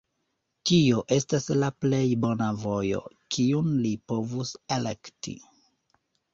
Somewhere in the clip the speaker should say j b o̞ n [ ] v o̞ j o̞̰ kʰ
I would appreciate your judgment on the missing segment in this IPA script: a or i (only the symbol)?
a